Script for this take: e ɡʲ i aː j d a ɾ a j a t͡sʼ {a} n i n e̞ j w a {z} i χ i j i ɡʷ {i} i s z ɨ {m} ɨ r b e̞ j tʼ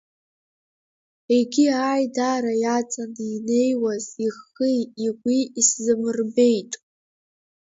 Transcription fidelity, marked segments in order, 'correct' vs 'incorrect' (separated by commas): correct, correct, correct, correct